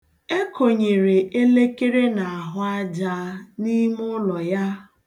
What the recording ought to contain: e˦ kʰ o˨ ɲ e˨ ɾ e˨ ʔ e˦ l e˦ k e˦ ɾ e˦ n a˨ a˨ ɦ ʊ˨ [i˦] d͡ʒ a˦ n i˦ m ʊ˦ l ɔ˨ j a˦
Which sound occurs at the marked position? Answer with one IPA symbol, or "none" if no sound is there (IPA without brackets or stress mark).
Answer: a˦